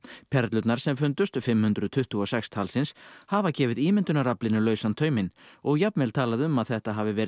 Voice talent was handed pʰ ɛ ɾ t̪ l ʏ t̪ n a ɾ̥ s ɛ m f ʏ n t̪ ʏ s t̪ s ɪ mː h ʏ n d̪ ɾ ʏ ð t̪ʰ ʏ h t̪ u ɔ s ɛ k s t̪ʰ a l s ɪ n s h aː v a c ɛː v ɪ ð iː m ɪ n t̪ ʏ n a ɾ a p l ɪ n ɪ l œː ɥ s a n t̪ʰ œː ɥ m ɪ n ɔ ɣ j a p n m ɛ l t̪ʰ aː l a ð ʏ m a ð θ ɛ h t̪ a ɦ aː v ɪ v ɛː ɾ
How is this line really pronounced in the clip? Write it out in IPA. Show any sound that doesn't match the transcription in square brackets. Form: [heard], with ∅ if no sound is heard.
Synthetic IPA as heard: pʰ ɛ ɾ t̪ l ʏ t̪ n a ɾ̥ s ɛ m f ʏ n t̪ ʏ s t̪ [f] ɪ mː h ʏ n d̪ ɾ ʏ ð t̪ʰ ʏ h t̪ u ɔ s ɛ k s t̪ʰ a l s ɪ n s h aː v a c ɛː v ɪ ð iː m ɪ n t̪ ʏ n a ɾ a p l ɪ n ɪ l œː ɥ s a n t̪ʰ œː ɥ m ɪ n ɔ ɣ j a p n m ɛ l t̪ʰ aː l a ð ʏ m a ð θ ɛ h t̪ a ɦ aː v ɪ v ɛː ɾ